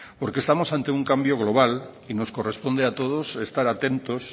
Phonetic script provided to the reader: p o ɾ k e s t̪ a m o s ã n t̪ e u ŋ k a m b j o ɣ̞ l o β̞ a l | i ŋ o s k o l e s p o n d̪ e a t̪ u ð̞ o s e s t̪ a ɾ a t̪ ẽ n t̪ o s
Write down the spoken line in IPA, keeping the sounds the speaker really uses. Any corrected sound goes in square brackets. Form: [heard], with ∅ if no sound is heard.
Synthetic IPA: p o ɾ k e s t̪ a m o s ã n t̪ e u ŋ k a m b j o ɣ̞ l o β̞ a l | i [n] o s k o [r] e s p o n d̪ e a t̪ [o] ð̞ o s e s t̪ a ɾ a t̪ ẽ n t̪ o s